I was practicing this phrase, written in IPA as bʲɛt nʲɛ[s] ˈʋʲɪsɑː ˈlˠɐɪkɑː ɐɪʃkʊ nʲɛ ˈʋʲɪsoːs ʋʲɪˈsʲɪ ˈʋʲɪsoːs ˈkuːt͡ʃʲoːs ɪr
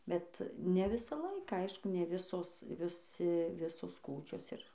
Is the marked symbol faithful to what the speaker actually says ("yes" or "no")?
no